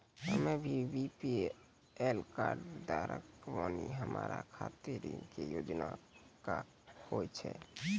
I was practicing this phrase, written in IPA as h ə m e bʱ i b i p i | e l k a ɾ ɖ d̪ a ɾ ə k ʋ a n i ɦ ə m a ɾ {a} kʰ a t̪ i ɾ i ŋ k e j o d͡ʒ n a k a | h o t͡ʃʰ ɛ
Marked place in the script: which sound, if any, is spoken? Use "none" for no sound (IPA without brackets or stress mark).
a